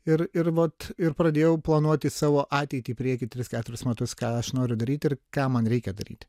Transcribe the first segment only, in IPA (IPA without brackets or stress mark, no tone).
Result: ɪ